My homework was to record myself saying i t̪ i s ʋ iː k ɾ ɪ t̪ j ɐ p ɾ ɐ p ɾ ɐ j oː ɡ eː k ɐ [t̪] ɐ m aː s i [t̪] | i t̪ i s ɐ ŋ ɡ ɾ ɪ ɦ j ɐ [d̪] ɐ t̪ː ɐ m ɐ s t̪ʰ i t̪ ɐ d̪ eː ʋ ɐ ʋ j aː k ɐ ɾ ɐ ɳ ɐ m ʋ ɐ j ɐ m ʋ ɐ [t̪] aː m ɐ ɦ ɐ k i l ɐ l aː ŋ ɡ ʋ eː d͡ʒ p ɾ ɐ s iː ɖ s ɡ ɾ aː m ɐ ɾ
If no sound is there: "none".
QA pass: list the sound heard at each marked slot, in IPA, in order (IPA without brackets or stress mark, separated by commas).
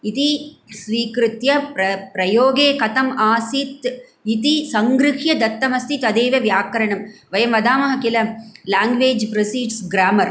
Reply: t̪, t̪, d̪, d̪